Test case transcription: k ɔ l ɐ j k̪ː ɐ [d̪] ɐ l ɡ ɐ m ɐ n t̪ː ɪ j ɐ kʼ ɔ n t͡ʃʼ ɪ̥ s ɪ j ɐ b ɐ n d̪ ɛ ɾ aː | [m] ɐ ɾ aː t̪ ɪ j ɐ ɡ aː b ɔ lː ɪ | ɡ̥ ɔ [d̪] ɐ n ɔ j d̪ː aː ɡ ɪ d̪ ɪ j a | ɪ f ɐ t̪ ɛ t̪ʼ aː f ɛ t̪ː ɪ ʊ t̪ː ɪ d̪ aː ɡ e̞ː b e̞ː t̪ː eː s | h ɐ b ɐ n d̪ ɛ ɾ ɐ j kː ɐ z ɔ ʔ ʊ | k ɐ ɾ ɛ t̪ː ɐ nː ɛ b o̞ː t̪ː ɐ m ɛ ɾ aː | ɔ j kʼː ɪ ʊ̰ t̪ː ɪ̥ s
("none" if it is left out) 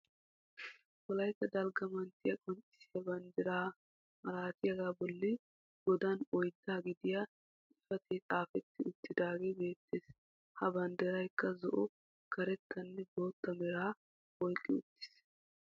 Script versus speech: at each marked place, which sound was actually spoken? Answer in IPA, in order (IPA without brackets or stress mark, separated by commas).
d̪, m, d̪